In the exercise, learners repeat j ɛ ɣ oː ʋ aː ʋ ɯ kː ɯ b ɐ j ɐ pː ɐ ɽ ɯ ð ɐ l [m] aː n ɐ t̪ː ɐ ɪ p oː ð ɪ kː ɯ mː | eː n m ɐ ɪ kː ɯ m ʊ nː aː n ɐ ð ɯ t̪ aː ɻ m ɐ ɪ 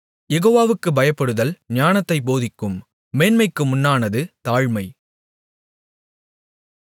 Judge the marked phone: incorrect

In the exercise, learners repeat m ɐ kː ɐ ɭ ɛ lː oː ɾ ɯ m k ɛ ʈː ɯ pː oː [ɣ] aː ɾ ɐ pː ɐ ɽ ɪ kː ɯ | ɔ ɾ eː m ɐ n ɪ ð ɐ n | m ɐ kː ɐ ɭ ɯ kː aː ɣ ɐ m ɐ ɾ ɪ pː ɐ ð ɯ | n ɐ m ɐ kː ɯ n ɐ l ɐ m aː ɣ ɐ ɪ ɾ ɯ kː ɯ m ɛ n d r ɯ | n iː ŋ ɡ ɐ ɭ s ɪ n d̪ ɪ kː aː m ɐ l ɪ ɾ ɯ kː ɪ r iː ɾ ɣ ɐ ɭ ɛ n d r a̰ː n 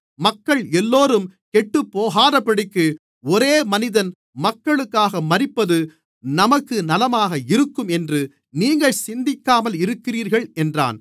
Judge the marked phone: correct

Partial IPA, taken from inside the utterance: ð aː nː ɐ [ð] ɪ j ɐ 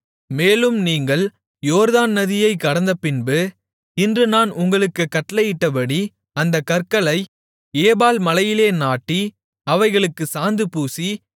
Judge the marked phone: correct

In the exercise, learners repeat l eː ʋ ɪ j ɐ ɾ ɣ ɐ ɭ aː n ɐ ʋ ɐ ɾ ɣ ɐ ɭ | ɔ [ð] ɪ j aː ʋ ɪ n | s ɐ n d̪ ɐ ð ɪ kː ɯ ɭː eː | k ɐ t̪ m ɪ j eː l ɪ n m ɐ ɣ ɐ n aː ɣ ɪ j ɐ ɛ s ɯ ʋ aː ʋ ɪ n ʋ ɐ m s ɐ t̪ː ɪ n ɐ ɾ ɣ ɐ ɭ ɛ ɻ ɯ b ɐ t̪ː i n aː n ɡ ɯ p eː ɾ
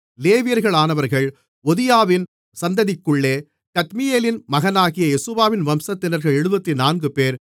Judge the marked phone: correct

